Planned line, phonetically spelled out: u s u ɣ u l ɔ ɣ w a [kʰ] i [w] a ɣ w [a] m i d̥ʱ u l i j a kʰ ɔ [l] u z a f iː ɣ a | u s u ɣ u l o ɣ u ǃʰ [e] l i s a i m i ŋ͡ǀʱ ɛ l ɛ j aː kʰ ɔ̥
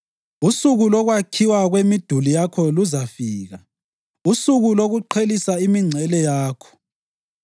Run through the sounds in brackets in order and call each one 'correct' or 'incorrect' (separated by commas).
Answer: correct, correct, incorrect, correct, correct